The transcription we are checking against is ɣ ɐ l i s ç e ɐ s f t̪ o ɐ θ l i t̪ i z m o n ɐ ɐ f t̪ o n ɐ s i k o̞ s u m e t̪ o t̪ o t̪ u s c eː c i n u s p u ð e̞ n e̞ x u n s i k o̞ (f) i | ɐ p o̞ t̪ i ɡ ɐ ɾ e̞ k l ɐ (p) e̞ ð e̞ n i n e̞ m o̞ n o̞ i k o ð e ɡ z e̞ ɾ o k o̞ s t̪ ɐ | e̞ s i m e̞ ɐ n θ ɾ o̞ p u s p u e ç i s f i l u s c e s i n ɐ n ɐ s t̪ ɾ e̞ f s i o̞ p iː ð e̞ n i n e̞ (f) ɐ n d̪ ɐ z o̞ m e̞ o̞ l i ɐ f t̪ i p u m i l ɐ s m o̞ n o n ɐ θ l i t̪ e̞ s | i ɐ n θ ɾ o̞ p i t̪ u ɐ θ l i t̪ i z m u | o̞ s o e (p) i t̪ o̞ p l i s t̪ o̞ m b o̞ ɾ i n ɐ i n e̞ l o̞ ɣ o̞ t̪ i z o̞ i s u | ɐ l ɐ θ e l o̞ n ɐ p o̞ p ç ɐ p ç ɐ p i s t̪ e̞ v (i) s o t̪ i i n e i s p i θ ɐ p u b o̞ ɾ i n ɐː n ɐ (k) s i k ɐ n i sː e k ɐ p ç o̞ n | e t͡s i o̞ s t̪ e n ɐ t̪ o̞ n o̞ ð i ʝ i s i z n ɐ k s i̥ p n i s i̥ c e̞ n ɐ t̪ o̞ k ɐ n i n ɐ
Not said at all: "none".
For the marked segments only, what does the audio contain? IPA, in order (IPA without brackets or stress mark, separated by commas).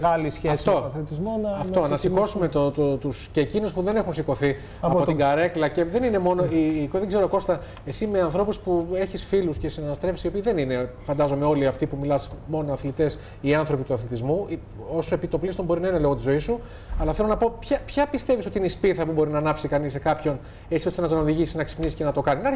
θ, c, f, p, i, p